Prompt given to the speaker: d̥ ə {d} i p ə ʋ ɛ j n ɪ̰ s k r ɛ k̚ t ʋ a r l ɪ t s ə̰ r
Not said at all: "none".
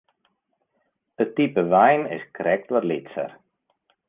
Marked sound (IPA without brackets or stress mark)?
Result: t